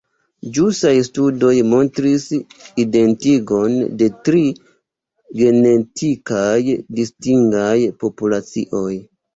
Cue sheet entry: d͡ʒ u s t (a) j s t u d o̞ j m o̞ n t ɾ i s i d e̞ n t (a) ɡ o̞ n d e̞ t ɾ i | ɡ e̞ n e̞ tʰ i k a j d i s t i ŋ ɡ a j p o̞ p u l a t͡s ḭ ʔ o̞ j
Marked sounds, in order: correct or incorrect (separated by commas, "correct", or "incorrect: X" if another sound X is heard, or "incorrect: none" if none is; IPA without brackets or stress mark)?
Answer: correct, incorrect: i